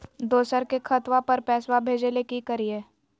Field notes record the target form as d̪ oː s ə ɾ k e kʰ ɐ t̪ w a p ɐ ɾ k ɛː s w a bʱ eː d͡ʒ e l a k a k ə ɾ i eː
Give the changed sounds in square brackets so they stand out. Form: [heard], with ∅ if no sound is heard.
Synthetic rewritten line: d̪ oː s ə ɾ k e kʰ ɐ t̪ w a p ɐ ɾ [p] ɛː s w a bʱ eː d͡ʒ e l [e] k [i] k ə ɾ i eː